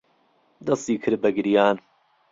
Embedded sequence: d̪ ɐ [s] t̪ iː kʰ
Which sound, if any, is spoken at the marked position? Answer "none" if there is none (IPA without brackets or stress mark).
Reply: s